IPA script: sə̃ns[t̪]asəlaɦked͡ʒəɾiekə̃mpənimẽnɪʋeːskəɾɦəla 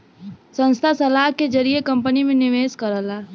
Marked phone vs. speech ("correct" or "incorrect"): incorrect